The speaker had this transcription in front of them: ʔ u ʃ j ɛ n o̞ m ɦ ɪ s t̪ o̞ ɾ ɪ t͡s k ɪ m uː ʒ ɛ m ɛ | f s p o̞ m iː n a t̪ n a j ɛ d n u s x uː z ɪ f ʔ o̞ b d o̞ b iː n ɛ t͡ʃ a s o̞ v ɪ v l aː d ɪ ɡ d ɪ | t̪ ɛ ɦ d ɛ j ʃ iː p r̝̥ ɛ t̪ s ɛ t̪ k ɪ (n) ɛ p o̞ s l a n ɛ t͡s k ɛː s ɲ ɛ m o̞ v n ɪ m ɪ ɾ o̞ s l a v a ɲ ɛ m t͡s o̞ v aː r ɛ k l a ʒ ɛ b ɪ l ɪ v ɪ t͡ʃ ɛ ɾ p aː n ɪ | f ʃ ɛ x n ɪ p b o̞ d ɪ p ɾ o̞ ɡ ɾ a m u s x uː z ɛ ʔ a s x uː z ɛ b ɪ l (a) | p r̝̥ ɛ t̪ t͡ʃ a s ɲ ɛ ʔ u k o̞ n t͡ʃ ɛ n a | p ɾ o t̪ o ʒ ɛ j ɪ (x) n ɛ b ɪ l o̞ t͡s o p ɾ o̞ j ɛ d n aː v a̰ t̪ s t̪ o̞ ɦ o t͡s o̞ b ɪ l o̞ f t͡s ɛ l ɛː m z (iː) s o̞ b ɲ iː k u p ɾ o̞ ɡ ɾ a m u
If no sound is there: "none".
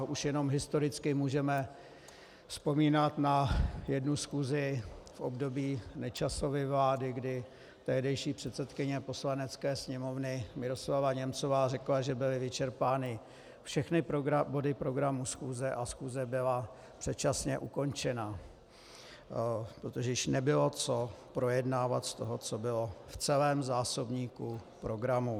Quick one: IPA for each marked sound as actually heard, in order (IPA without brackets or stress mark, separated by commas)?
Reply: ɲ, a, ʃ, aː